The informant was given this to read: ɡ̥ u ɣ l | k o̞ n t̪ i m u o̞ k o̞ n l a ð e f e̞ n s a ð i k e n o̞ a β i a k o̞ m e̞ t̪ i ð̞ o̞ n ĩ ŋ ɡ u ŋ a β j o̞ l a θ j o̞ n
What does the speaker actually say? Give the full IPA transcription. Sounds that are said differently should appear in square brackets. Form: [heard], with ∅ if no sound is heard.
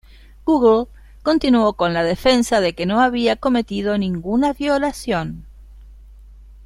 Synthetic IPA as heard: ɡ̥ u ɣ l | k o̞ n t̪ i [n] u o̞ k o̞ n l a ð e f e̞ n s a ð [e] k e n o̞ a β i a k o̞ m e̞ t̪ i ð̞ o̞ n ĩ ŋ ɡ u [n] a β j o̞ l a [s] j o̞ n